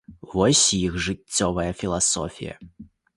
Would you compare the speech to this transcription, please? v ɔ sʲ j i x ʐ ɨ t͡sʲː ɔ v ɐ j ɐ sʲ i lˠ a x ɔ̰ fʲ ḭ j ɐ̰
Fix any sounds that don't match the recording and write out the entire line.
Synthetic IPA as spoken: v ɔ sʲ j i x ʐ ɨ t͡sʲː ɔ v ɐ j ɐ fʲ i lˠ a s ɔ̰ fʲ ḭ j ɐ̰